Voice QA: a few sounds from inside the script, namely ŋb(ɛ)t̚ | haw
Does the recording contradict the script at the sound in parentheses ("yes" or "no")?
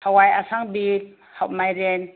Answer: yes